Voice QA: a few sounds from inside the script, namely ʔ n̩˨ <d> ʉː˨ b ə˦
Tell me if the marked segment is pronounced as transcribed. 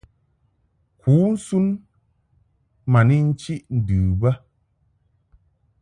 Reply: yes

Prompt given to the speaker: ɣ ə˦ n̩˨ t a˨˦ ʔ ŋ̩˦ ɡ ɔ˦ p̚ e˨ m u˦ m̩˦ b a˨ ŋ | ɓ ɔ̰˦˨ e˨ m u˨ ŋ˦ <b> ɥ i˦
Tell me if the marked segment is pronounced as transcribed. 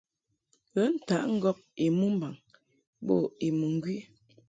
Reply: no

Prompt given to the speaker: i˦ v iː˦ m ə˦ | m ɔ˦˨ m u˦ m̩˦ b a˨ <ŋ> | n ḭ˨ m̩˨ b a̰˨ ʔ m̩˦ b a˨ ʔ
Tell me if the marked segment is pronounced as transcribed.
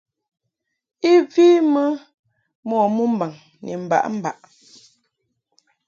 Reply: yes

